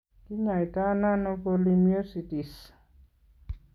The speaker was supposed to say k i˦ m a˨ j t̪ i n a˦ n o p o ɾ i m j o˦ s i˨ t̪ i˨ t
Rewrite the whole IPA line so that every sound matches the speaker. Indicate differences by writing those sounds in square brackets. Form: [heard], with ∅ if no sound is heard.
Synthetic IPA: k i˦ [ɲ] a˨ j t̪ [a] n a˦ n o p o [l] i m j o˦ s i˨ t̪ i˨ [s]